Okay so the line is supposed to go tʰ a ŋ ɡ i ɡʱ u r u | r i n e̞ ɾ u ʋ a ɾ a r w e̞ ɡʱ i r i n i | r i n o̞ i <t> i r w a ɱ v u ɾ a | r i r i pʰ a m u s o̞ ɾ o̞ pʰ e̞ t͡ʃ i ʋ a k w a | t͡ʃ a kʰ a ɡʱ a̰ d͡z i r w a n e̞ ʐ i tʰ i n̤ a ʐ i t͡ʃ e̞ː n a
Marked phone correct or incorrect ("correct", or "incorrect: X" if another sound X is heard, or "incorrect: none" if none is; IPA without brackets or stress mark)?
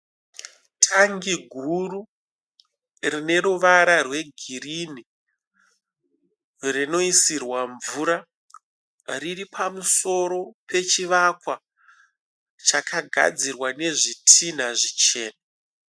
incorrect: s